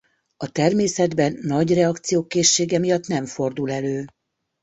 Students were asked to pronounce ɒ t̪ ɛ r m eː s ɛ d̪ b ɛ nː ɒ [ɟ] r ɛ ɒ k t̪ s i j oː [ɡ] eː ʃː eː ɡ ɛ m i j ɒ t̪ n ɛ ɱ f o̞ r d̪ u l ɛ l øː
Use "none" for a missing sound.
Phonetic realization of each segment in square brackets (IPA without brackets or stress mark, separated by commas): ɟ, k